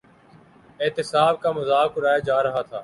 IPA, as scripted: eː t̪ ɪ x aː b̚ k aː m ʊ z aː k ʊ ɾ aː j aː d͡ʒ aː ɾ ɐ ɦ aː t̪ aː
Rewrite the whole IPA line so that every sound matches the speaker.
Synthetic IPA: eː t̪ ɪ s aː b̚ k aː m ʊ z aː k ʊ ɾ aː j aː d͡ʒ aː ɾ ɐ ɦ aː t̪ʰ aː